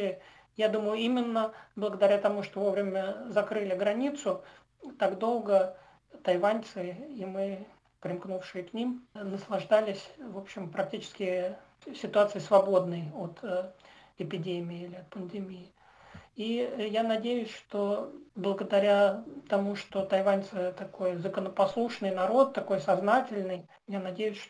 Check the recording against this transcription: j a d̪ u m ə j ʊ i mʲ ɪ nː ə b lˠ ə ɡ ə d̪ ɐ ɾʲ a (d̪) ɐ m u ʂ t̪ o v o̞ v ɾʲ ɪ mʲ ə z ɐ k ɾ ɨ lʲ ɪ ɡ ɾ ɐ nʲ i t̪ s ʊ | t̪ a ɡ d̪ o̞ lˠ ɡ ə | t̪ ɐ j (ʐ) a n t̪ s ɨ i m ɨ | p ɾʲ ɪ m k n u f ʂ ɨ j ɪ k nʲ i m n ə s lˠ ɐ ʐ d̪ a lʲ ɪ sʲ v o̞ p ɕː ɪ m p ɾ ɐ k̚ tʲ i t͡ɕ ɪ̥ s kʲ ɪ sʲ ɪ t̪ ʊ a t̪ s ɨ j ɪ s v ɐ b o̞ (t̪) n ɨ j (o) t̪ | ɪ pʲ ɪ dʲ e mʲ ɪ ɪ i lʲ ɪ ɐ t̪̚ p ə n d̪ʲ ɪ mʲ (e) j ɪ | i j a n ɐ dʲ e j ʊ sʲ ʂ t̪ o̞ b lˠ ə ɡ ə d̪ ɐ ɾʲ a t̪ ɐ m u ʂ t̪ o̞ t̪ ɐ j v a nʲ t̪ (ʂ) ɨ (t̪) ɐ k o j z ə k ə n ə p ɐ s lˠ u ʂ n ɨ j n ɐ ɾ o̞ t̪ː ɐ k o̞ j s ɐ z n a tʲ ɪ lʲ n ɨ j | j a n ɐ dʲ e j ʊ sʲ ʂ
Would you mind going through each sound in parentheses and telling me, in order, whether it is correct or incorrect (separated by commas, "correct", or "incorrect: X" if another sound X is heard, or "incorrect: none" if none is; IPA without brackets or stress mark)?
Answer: incorrect: t̪, incorrect: v, incorrect: d̪, correct, incorrect: i, incorrect: s, correct